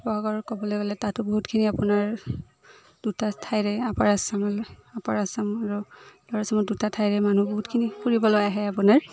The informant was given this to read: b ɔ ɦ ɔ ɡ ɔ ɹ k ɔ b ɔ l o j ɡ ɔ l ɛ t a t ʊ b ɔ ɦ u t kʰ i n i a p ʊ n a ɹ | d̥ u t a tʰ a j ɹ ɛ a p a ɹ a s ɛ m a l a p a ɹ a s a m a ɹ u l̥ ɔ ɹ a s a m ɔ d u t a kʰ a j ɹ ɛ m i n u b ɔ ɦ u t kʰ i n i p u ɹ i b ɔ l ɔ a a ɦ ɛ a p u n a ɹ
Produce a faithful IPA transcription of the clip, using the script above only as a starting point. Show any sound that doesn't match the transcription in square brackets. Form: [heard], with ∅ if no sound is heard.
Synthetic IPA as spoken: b ɔ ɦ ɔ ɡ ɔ ɹ k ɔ b ɔ l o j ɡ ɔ l ɛ t a t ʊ b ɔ ɦ u t kʰ i n i a p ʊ n a ɹ | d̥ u t a tʰ a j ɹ ɛ a p a ɹ a s [a] m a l a p a ɹ a s a m a ɹ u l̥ ɔ ɹ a s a m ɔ d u t a [tʰ] a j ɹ ɛ m [a] n u b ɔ ɦ u t kʰ i n i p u ɹ i b ɔ l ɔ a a ɦ ɛ a p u n a ɹ